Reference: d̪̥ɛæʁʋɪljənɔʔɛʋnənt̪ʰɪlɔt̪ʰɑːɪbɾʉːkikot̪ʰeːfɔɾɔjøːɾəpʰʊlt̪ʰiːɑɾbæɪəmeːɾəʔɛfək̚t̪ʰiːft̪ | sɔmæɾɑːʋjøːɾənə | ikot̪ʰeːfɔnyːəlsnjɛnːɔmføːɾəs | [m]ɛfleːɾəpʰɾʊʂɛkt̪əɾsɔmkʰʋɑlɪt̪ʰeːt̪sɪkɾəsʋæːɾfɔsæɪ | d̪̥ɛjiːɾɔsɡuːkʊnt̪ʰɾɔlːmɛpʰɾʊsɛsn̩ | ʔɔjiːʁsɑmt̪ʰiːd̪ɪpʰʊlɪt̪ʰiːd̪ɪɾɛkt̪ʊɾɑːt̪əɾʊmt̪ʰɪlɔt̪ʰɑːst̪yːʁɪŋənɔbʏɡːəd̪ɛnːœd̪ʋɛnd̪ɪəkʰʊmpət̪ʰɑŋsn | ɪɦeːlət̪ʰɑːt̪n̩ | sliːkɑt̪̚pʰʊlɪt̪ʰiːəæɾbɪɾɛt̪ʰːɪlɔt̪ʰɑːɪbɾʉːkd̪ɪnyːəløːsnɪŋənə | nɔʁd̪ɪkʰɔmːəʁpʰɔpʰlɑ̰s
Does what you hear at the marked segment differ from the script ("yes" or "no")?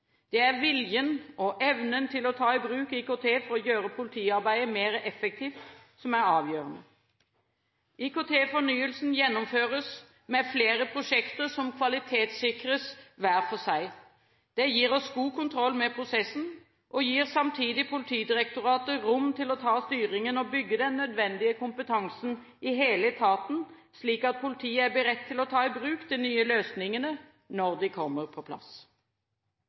no